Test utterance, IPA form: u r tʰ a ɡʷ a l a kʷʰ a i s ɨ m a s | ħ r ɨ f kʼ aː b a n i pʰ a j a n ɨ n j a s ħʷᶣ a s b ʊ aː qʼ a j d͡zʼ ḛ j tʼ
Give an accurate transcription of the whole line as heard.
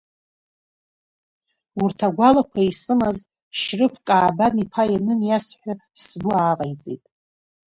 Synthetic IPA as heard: u r tʰ a ɡʷ a l a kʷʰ a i s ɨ m a z | ʃ r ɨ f kʼ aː b a n i pʰ a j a n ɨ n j a s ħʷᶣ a s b ʊ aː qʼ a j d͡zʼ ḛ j tʼ